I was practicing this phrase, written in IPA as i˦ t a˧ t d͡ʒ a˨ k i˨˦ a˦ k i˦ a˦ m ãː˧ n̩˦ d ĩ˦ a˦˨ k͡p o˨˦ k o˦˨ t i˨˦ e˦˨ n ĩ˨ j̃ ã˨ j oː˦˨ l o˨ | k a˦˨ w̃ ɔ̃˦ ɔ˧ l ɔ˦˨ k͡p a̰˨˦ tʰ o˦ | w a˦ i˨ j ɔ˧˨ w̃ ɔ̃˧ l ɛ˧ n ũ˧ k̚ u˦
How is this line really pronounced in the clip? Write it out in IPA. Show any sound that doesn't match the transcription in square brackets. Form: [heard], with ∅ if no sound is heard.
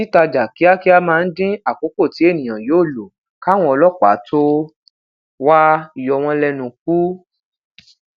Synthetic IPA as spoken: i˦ t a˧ [∅] d͡ʒ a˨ k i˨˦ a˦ k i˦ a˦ m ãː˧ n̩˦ d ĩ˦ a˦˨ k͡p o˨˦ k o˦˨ t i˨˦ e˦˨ n ĩ˨ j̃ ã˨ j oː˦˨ l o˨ | k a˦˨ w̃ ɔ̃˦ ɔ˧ l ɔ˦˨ k͡p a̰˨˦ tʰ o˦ | w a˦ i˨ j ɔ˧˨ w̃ ɔ̃˧ l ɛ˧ n ũ˧ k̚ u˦

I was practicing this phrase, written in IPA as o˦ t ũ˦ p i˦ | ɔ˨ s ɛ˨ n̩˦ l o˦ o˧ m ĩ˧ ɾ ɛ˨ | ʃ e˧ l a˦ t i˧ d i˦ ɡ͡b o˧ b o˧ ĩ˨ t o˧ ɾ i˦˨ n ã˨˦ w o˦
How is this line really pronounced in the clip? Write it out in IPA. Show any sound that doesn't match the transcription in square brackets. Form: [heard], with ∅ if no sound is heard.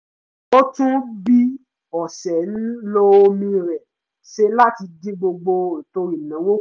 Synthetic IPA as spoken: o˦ t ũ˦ [b] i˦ | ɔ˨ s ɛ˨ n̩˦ l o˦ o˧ m ĩ˧ ɾ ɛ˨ | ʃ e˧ l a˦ t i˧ d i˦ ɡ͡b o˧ [ɡ͡b] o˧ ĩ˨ t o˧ ɾ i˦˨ n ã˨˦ w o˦

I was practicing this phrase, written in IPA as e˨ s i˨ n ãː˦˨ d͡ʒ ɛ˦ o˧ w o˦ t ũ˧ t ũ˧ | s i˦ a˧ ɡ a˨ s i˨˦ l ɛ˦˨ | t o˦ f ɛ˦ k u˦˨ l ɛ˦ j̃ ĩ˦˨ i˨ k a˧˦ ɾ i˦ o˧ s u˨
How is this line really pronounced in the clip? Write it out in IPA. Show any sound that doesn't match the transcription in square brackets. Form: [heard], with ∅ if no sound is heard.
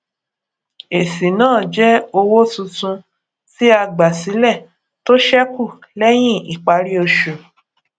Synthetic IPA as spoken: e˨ s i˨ n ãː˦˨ d͡ʒ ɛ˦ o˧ w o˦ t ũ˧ t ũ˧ | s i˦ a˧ [ɡ͡b] a˨ s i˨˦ l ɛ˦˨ | t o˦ [ʃ] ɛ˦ k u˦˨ l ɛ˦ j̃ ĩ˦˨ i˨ [k͡p] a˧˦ ɾ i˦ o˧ [ʃ] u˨

